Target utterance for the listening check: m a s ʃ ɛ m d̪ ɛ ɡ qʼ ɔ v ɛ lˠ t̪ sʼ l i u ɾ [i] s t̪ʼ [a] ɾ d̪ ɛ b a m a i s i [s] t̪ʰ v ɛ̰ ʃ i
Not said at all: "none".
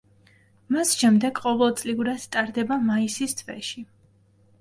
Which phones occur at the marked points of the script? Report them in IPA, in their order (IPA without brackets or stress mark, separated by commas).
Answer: a, a, s